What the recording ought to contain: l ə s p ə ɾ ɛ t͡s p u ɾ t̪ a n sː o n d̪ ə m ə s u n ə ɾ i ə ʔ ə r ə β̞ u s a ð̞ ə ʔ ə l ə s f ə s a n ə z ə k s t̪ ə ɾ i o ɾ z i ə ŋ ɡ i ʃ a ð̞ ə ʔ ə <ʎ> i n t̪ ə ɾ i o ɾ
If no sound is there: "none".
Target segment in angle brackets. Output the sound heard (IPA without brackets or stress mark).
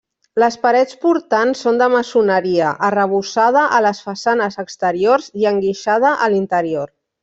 l